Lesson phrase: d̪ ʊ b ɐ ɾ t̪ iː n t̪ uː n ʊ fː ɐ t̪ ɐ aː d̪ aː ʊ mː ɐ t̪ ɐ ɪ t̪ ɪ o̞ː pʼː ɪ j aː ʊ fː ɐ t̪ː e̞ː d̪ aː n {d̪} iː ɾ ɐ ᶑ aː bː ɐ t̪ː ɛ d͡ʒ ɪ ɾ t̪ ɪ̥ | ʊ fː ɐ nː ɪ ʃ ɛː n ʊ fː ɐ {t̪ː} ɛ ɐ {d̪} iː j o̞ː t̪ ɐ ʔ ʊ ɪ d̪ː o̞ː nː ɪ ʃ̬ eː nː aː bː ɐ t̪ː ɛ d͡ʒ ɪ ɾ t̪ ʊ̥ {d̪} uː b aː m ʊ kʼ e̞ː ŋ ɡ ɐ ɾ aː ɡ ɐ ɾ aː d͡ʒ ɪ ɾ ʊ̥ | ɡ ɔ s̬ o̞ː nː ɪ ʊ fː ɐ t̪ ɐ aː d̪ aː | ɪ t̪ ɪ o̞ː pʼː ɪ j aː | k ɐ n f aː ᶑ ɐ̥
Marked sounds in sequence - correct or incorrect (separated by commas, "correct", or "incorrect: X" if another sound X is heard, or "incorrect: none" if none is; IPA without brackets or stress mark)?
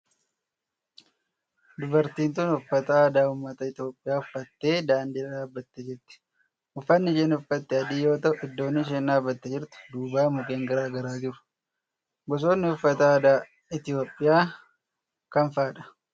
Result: correct, correct, correct, correct